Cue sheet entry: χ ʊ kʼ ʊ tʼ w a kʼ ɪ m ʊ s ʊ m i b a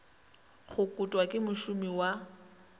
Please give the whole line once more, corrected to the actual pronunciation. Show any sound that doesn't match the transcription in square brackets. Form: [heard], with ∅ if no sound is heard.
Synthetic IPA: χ ʊ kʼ ʊ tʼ w a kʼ ɪ m ʊ [ʃ] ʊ m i [w] a

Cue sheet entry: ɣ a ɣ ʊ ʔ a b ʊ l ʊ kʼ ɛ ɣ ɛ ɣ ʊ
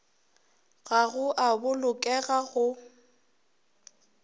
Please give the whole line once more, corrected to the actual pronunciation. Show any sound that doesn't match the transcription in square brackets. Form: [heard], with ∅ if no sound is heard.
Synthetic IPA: ɣ a ɣ ʊ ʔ a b ʊ l ʊ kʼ ɛ ɣ [a] ɣ ʊ

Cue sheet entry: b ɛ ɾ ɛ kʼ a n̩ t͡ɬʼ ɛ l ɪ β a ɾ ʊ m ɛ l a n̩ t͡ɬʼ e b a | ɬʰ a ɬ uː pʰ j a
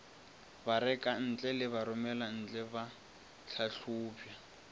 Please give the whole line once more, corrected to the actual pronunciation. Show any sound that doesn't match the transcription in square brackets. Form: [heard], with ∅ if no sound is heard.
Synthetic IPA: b [a] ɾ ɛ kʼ a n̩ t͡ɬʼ ɛ l ɪ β a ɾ ʊ m ɛ l a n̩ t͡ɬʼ [ɛ] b a | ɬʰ a ɬ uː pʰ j a

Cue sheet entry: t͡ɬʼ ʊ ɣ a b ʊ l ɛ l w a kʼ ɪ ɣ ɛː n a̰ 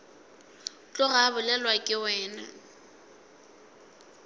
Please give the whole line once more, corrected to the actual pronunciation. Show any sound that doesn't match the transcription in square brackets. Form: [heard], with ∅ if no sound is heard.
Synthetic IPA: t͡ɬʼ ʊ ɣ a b ʊ l ɛ l w a kʼ ɪ [w] ɛː n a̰

